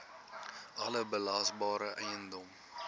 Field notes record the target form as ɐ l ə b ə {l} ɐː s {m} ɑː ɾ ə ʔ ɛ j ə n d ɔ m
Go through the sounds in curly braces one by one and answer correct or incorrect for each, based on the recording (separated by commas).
correct, incorrect